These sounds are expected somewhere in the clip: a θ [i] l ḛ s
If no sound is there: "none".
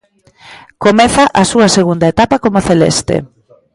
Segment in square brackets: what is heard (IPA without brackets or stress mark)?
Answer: e